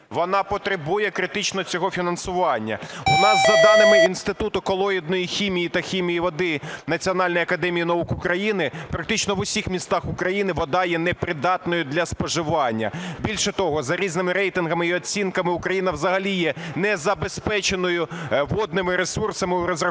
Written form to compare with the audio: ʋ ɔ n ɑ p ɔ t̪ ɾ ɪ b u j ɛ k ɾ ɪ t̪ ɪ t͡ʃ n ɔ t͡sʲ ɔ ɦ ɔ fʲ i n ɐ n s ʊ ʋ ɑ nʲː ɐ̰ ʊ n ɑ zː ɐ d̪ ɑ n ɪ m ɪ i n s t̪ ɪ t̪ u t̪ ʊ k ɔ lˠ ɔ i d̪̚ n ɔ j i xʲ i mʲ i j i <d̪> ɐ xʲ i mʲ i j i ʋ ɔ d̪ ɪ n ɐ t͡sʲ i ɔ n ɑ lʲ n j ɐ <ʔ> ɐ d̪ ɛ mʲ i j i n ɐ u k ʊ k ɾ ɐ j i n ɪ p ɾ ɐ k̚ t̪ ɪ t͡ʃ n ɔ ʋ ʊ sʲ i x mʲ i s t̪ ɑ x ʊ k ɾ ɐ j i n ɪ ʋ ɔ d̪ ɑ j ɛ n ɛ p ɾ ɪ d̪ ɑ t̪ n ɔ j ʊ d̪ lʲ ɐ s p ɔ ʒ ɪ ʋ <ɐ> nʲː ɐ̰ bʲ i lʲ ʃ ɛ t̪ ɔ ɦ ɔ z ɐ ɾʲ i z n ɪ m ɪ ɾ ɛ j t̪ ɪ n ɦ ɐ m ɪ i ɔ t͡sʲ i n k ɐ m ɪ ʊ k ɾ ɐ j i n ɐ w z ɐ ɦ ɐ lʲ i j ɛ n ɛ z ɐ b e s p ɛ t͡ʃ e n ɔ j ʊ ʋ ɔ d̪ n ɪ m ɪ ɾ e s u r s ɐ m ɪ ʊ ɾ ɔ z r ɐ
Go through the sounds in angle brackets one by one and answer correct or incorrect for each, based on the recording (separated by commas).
incorrect, incorrect, incorrect